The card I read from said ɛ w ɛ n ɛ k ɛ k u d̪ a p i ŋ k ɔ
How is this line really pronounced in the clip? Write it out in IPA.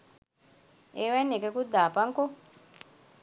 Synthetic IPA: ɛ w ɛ n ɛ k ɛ k u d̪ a p a ŋ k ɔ